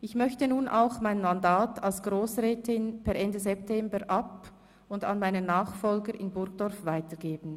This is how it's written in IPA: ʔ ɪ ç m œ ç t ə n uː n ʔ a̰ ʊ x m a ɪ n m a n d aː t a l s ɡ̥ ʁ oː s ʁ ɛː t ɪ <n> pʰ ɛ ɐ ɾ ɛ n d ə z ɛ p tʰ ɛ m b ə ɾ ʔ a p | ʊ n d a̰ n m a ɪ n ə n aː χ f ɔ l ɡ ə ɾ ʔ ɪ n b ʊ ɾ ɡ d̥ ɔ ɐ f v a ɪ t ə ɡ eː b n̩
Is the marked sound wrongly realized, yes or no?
no